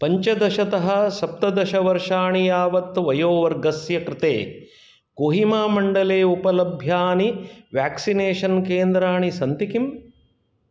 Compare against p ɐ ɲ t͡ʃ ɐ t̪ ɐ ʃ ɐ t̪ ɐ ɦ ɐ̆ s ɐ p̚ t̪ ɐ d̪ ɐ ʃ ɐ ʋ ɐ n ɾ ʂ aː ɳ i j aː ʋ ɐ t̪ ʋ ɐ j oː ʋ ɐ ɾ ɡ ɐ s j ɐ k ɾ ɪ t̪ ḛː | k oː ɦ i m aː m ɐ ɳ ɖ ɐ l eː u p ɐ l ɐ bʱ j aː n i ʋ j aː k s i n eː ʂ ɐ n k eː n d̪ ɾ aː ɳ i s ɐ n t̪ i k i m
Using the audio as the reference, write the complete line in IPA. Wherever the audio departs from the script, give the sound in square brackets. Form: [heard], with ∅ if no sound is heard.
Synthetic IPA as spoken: p ɐ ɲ t͡ʃ ɐ [d̪] ɐ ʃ ɐ t̪ ɐ ɦ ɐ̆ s ɐ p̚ t̪ ɐ d̪ ɐ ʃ ɐ ʋ ɐ [∅] ɾ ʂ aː ɳ i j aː ʋ ɐ t̪ ʋ ɐ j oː ʋ ɐ ɾ ɡ ɐ s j ɐ k ɾ ɪ t̪ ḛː | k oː ɦ i m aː m ɐ ɳ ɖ ɐ l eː u p ɐ l ɐ bʱ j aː n i ʋ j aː k s i n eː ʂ ɐ n k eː n d̪ ɾ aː ɳ i s ɐ n t̪ i k i m